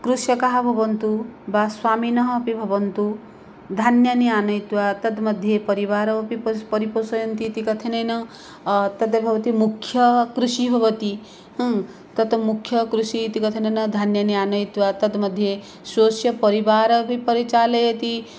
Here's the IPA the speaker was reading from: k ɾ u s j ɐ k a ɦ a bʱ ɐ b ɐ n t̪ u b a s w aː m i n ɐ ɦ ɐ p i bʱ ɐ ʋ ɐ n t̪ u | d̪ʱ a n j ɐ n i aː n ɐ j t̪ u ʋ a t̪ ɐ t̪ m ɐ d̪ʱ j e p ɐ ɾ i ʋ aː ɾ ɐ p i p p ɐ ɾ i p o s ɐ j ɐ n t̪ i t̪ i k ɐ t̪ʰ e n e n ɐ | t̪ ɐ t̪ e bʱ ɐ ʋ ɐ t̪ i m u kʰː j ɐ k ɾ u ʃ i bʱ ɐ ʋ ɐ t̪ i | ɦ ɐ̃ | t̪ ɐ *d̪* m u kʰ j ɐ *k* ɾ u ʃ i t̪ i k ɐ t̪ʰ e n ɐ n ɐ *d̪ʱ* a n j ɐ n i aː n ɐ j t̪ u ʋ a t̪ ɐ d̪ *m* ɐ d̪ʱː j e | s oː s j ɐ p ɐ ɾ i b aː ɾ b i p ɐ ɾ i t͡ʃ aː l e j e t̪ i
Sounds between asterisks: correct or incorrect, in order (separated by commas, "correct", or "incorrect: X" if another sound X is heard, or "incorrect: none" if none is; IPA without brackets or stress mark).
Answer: incorrect: t̪, correct, correct, correct